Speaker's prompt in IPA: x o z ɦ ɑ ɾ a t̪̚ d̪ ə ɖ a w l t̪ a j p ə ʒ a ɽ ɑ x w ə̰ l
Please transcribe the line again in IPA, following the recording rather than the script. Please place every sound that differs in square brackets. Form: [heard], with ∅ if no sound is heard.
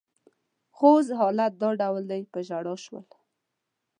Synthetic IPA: x o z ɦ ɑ [l] a t̪̚ d̪ [ɑ] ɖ a w l [d̪] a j p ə ʒ a ɽ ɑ [ʃ] w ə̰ l